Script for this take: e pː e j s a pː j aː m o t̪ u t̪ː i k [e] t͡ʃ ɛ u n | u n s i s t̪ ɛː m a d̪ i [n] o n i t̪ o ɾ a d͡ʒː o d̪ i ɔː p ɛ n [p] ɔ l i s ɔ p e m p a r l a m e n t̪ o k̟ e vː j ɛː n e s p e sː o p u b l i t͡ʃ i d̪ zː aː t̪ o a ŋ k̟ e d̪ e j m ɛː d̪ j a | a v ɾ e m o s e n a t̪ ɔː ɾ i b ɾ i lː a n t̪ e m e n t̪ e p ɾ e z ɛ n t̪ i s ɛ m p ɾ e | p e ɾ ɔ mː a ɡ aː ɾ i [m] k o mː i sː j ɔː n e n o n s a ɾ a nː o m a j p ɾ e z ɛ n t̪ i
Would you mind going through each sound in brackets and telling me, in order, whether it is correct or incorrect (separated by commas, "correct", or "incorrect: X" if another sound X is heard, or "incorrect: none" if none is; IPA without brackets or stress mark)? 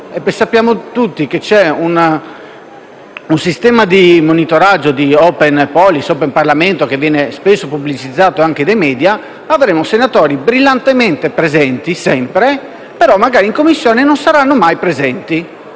correct, incorrect: m, correct, incorrect: ŋ